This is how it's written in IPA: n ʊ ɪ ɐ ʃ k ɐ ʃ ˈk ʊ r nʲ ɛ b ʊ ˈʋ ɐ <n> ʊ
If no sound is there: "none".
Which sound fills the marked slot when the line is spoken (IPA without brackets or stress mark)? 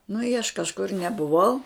none